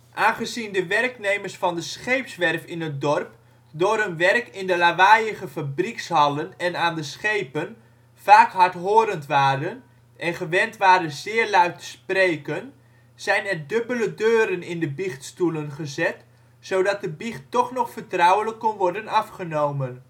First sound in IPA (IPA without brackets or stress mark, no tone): ʔ